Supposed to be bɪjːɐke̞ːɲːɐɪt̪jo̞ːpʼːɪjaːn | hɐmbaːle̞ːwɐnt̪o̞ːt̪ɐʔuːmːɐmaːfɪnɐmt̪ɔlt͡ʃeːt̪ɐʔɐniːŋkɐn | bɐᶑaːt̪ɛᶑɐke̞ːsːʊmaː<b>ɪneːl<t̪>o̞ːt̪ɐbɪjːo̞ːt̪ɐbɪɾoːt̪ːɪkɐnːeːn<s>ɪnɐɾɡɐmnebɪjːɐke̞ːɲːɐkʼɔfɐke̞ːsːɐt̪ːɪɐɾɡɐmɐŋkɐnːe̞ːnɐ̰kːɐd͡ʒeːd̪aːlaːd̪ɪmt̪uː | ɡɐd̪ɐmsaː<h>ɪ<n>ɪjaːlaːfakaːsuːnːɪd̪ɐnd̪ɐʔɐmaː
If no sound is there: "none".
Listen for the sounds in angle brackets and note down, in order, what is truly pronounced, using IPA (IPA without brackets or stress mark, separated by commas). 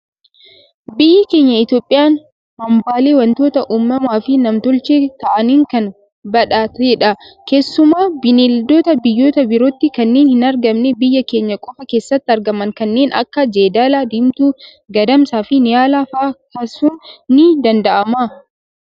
b, d̪, h, f, n